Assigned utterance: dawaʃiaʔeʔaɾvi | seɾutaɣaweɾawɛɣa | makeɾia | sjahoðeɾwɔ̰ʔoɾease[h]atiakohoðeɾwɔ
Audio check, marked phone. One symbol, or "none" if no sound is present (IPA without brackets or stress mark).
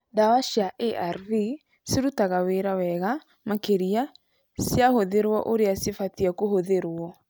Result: f